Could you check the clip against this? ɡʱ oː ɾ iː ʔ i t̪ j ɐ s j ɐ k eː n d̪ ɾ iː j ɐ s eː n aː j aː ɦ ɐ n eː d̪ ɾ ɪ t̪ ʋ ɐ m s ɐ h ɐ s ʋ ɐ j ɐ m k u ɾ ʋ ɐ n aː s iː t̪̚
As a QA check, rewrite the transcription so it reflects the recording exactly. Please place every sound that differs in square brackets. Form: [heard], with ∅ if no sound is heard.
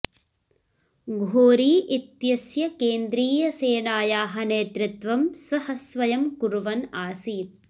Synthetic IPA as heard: ɡʱ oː ɾ iː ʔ i t̪ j ɐ s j ɐ k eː n d̪ ɾ iː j ɐ s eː n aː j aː ɦ ɐ n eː [t̪] ɾ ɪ t̪ ʋ ɐ m s ɐ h ɐ s ʋ ɐ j ɐ m k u ɾ ʋ ɐ n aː s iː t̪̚